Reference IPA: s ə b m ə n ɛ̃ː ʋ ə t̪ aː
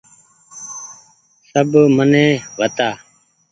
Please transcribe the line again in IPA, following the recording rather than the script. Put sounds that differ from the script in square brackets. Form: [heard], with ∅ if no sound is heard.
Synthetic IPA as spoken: s ə b m ə n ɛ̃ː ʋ ə t̪ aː